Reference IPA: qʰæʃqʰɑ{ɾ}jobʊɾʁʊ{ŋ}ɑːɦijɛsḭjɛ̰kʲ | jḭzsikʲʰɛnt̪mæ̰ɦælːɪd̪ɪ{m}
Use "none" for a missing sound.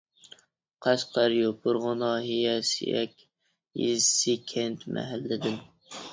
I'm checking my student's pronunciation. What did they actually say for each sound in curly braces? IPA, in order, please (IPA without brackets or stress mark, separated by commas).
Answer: ɾ, n, n